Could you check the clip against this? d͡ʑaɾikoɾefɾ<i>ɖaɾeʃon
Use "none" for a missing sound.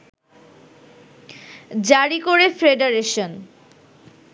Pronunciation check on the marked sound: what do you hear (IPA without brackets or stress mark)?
e